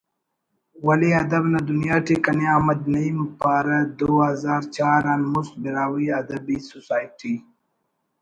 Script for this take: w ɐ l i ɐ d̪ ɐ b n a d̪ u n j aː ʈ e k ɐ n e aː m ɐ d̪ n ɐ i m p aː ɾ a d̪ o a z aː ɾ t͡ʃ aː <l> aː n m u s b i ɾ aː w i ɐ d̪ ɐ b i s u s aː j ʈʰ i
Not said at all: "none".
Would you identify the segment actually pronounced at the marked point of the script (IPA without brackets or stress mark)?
ɾ